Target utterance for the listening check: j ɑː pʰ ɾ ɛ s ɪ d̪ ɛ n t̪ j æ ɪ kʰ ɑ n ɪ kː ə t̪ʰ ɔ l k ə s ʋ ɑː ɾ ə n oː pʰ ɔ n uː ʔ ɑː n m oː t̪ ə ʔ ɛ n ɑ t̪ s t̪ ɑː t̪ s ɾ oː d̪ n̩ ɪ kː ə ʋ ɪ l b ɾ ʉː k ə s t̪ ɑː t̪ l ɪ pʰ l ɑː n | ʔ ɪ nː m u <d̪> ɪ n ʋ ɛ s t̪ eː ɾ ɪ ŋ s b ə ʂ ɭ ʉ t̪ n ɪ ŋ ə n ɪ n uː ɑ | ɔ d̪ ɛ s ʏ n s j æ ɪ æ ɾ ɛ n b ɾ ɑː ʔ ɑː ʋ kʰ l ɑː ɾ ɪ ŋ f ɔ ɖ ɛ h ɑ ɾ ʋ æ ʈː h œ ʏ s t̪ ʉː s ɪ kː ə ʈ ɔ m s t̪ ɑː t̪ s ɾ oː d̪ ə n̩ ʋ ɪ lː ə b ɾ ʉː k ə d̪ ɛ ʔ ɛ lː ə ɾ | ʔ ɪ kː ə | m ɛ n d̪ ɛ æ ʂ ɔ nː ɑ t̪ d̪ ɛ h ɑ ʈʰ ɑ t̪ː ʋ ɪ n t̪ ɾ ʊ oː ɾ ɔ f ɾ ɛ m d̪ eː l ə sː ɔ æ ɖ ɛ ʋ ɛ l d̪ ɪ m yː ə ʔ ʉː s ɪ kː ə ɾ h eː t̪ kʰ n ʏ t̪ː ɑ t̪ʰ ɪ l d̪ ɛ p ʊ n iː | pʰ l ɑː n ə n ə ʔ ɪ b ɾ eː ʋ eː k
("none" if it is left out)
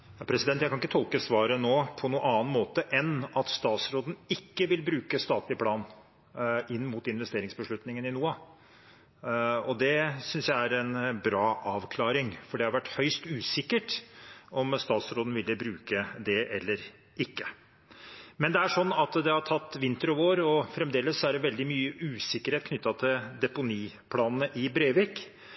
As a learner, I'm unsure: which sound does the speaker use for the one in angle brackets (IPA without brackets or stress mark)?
t̪